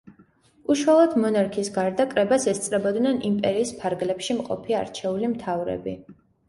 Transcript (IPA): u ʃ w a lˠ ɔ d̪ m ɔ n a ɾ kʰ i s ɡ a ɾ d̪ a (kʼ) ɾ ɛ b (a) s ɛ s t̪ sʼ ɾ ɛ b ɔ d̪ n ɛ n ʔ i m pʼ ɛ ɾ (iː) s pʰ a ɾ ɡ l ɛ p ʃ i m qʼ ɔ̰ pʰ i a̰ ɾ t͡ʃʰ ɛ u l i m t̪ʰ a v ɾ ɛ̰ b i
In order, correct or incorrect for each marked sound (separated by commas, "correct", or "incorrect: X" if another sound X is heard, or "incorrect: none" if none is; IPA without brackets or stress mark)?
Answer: correct, correct, correct